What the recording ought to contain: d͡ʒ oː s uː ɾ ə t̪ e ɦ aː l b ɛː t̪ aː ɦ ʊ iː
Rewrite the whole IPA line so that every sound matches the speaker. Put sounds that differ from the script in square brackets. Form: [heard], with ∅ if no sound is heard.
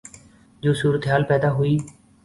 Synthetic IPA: d͡ʒ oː s uː ɾ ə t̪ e ɦ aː l [p] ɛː [d̪] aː ɦ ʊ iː

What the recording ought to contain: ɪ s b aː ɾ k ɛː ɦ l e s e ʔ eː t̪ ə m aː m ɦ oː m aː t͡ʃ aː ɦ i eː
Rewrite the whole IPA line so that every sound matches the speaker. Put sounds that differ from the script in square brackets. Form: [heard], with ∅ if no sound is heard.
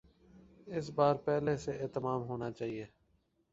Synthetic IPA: ɪ s b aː ɾ [p] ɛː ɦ l e s e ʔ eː t̪ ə m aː m ɦ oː [n] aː t͡ʃ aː ɦ i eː

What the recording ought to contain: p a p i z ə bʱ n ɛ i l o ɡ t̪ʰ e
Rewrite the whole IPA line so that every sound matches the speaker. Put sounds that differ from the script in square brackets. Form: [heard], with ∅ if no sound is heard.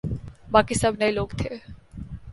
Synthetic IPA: [b] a [k] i [s] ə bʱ n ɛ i l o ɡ t̪ʰ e

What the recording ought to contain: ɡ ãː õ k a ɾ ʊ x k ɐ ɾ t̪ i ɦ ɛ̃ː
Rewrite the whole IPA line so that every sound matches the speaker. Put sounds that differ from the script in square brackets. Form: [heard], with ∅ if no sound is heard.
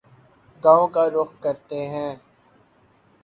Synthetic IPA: ɡ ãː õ k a ɾ ʊ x k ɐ ɾ t̪ [e] ɦ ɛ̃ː

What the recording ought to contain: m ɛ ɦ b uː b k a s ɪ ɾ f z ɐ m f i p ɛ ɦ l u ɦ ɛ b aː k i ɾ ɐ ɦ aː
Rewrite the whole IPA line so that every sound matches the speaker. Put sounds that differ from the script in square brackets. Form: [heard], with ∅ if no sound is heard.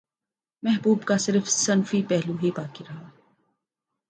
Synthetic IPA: m ɛ ɦ b uː b k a s ɪ ɾ f [s] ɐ [n] f i p ɛ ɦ l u ɦ [i] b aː k i ɾ ɐ ɦ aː

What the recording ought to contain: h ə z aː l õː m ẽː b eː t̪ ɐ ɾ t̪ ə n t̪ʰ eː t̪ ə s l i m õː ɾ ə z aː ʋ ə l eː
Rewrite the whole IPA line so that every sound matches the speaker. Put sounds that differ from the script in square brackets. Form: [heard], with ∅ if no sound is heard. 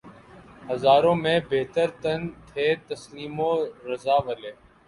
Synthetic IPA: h ə z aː [ɾ] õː m ẽː b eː t̪ [ə] ɾ t̪ ə n t̪ʰ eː t̪ ə s l [iː] m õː ɾ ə z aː ʋ ə l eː

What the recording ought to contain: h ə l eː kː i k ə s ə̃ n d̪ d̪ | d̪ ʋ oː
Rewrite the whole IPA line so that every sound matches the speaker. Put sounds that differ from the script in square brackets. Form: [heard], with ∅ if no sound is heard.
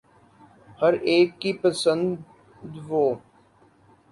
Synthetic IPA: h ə [ɾ] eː kː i [p] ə s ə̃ n d̪ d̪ | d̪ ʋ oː

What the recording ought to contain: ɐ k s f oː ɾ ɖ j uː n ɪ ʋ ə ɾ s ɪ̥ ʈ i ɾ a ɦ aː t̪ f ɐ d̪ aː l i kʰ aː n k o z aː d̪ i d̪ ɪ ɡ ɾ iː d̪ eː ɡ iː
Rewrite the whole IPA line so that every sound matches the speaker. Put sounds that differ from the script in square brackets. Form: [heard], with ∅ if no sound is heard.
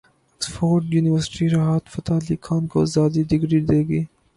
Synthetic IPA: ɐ k s f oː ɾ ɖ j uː n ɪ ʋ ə ɾ s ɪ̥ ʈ i ɾ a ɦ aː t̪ f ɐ [t̪] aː l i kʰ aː n k o z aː d̪ i d̪ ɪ ɡ ɾ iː d̪ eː ɡ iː

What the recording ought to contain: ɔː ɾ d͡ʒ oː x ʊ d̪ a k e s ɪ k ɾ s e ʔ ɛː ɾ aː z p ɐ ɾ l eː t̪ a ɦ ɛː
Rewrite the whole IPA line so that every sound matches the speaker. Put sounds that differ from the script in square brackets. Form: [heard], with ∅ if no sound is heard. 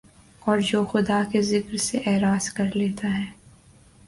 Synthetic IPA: ɔː ɾ d͡ʒ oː x ʊ d̪ a k e [z] ɪ k ɾ s e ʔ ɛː ɾ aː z [k] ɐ ɾ l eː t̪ a ɦ ɛː

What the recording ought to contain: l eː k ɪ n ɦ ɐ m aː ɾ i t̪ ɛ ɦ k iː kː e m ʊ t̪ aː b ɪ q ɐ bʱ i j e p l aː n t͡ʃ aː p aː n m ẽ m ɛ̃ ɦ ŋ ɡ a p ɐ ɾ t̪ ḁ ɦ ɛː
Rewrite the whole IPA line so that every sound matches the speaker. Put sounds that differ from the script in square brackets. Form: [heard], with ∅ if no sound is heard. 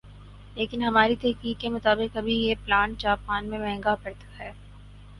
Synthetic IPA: l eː k ɪ n ɦ ɐ m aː ɾ i t̪ ɛ ɦ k iː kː e m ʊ t̪ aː b ɪ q ɐ bʱ i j e p l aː n t͡ʃ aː p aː n m ẽ m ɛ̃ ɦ ŋ ɡ a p ɐ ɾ t̪ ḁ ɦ ɛː

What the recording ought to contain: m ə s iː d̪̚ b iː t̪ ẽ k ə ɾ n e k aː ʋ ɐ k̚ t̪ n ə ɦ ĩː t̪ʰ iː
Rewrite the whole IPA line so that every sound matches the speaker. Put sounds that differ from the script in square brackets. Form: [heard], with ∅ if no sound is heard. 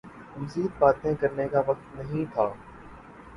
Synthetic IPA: m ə [z] iː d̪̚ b [aː] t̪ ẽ k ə ɾ n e k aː ʋ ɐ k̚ t̪ n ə ɦ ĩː t̪ʰ [aː]

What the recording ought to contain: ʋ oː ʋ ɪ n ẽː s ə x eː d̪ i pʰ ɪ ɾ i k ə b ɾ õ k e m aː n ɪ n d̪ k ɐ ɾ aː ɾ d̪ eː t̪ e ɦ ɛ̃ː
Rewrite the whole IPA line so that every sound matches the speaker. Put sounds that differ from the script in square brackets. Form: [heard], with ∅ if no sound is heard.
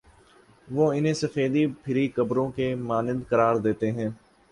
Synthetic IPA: ʋ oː [∅] ɪ n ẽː s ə [f] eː d̪ i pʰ ɪ ɾ i k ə b ɾ õ k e m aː n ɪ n d̪ k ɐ ɾ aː ɾ d̪ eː t̪ e ɦ ɛ̃ː

